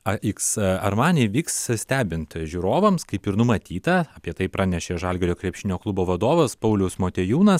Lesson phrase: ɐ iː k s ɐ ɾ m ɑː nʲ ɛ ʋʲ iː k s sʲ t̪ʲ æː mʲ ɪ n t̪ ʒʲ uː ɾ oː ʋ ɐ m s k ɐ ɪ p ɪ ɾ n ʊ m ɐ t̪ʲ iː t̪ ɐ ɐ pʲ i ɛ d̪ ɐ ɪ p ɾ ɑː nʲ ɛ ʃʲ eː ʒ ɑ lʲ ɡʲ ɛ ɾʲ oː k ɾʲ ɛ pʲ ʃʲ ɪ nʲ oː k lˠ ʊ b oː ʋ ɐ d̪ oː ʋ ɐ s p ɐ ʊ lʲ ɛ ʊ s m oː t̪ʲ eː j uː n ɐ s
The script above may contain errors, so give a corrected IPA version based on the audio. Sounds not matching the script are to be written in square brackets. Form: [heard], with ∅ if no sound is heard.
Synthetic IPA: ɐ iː k s ɐ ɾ m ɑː nʲ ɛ ʋʲ iː k s sʲ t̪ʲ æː [bʲ] ɪ n t̪ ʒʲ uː ɾ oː ʋ ɐ m s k ɐ ɪ p ɪ ɾ n ʊ m ɐ t̪ʲ iː t̪ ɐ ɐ pʲ i ɛ [t̪] ɐ ɪ p ɾ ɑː nʲ ɛ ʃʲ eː ʒ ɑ lʲ ɡʲ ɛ ɾʲ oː k ɾʲ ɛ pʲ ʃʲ ɪ nʲ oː k lˠ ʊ b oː ʋ ɐ d̪ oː ʋ ɐ s p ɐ ʊ lʲ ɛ ʊ s m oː t̪ʲ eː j uː n ɐ s